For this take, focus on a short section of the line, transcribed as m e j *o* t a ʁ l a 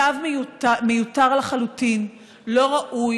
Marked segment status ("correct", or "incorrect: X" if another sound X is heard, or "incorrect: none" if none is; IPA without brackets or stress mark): incorrect: u